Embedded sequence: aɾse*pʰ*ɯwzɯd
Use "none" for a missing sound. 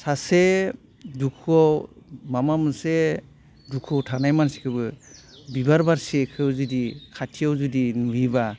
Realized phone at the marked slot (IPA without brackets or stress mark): kʰ